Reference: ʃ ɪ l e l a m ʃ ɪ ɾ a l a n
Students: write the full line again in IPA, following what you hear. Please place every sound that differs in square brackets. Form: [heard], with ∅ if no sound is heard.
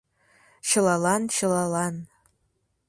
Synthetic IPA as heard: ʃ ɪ l [a] l a [n] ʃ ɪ [l] a l a n

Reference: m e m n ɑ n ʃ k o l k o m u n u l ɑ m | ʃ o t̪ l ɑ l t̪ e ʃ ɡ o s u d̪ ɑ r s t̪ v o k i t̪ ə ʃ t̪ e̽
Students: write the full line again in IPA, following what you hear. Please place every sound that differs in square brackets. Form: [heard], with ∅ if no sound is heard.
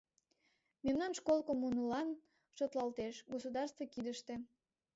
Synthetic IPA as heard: m e m n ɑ n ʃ k o l k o m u n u l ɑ [n] | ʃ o t̪ l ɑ l t̪ e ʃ ɡ o s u d̪ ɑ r s t̪ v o k i [d̪] ə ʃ t̪ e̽

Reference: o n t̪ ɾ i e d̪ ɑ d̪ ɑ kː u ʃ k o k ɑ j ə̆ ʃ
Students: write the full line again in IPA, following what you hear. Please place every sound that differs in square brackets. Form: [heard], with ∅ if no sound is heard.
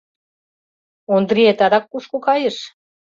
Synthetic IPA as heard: o n [d̪] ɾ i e [t̪] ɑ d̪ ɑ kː u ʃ k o k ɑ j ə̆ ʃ

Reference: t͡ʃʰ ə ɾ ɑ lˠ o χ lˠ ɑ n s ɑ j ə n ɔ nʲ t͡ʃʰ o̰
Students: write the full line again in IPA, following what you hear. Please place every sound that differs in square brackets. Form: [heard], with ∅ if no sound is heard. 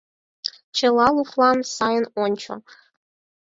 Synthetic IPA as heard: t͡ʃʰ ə [l] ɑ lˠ [u] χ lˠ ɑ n s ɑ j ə n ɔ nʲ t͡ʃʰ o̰

